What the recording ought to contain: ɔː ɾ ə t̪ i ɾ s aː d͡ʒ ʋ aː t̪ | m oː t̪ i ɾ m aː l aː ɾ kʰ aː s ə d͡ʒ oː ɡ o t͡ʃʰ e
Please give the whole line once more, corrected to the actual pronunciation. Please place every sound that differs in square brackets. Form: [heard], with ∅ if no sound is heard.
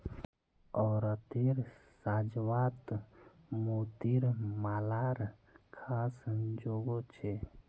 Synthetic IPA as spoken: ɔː ɾ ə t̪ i ɾ s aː d͡ʒ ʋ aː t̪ | m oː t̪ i ɾ m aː l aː ɾ kʰ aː s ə d͡ʒ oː ɡ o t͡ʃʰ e